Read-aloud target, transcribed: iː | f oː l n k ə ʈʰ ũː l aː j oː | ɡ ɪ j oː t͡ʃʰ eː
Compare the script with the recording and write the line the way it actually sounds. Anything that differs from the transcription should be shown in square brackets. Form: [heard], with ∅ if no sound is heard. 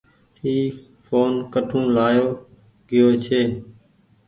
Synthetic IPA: iː | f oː [∅] n k ə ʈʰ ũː l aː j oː | ɡ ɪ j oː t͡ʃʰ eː

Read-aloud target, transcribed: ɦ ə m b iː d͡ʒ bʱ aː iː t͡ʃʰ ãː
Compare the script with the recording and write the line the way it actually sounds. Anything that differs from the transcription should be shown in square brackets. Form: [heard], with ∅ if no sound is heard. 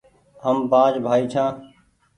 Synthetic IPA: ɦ ə m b [aː] d͡ʒ bʱ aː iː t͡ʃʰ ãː

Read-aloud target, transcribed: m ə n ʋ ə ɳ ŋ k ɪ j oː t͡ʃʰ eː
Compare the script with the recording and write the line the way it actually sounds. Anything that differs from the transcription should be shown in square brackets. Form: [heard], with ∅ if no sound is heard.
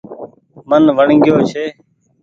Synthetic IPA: m ə n ʋ ə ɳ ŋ [ɡ] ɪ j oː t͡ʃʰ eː

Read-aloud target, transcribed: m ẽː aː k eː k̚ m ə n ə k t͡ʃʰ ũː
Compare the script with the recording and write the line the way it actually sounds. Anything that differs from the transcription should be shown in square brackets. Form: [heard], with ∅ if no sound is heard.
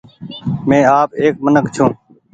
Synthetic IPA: m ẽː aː [p] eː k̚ m ə n ə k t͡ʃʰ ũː

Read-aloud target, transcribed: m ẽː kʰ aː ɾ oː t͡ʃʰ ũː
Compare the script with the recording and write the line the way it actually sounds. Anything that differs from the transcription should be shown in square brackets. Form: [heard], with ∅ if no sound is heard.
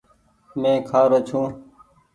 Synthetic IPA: m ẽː kʰ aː ɾ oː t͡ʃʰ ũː

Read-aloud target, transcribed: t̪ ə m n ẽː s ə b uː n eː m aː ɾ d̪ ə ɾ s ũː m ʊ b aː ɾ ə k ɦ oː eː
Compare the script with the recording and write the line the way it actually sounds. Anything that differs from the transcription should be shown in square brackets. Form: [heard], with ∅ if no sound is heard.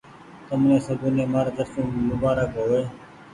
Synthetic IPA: t̪ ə m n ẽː s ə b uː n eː m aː ɾ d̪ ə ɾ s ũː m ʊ b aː ɾ ə k ɦ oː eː

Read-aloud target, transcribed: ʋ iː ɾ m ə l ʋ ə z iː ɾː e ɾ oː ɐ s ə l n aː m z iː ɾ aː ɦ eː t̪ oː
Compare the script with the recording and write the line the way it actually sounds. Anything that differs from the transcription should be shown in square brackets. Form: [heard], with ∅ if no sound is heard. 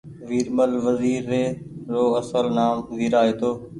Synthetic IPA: ʋ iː ɾ m ə l ʋ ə z iː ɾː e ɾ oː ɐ s ə l n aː m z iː ɾ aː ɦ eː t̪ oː

